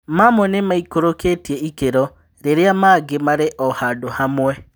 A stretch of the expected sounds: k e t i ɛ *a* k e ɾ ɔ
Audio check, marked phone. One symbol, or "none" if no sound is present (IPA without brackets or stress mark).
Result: i